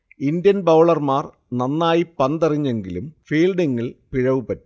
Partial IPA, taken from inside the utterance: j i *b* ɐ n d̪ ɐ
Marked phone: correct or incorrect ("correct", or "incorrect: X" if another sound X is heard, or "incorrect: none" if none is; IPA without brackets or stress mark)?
incorrect: p